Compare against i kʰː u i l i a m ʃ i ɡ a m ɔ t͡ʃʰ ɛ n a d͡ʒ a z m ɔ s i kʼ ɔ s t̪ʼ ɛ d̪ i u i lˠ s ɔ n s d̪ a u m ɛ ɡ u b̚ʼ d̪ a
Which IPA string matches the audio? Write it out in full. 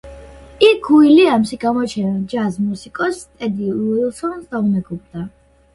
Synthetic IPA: i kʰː u i l i a m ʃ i ɡ a m ɔ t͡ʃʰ ɛ n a d͡ʒ a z m u s i kʼ ɔ s t̪ʼ ɛ d̪ i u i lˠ s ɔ n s d̪ a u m ɛ ɡ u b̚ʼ d̪ a